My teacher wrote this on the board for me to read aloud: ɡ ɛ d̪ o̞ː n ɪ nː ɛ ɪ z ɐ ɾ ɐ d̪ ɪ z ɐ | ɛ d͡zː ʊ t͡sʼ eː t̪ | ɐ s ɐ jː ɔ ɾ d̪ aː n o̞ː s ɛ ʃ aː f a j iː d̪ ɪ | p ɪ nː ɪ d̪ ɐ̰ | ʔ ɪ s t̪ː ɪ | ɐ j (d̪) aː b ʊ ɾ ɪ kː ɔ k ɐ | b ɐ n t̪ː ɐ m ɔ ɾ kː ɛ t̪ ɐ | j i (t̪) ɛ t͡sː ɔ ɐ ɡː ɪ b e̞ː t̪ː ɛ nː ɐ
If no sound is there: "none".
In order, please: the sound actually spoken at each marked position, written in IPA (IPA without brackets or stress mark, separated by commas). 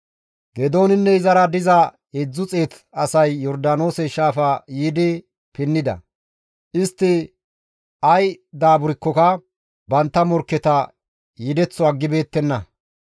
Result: d̪, d̪